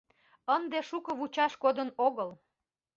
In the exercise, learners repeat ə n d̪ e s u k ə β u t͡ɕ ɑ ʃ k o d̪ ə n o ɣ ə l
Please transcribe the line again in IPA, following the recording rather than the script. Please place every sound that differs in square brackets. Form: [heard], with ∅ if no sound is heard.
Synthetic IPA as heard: ə n d̪ e [ʃ] u k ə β u t͡ɕ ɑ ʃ k o d̪ ə n o ɣ ə l